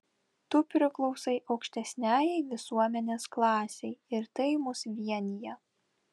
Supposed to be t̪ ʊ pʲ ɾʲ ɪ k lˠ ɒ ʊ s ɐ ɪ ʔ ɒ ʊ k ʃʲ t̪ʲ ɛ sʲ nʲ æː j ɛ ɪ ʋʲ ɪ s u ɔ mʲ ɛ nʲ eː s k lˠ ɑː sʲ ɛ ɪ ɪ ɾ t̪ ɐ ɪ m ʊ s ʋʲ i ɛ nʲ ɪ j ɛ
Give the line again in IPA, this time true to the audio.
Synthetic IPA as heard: t̪ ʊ pʲ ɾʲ ɪ k lˠ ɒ ʊ s ɐ ɪ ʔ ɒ ʊ k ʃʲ t̪ʲ ɛ sʲ nʲ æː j ɛ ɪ ʋʲ ɪ s u ɔ mʲ ɛ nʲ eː s k lˠ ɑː sʲ ɛ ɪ ɪ ɾ t̪ ɐ ɪ m ʊ s ʋʲ i ɛ nʲ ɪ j ɛ